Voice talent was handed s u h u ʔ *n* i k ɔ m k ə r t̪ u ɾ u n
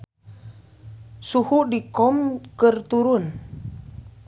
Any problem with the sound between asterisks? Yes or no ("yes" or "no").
yes